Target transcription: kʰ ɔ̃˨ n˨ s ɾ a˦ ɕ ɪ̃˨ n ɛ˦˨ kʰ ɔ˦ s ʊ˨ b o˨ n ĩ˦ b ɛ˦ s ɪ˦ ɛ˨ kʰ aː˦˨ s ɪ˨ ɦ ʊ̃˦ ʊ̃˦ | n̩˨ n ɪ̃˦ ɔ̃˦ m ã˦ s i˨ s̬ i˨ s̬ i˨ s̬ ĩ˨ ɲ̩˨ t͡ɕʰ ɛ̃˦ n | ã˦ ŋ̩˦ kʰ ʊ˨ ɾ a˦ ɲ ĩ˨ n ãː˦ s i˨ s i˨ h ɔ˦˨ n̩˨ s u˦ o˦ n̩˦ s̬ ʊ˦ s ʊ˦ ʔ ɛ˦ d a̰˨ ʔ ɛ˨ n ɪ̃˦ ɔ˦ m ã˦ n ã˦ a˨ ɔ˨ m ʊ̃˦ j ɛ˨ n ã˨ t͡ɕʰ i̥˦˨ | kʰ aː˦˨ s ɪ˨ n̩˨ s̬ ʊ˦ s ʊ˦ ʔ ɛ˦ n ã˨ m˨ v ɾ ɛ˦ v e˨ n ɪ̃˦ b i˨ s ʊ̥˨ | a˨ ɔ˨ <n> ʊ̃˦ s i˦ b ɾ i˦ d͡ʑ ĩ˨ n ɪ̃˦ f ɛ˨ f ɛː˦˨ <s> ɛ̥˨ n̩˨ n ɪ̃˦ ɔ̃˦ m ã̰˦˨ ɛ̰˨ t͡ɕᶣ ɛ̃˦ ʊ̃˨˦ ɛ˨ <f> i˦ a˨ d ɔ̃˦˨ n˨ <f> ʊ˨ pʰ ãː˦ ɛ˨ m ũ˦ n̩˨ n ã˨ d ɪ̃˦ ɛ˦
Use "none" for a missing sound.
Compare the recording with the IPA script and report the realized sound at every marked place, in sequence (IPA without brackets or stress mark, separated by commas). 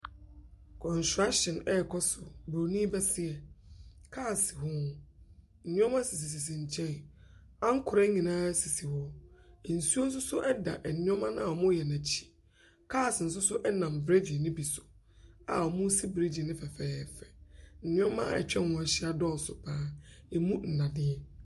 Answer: m, f, ɕ, s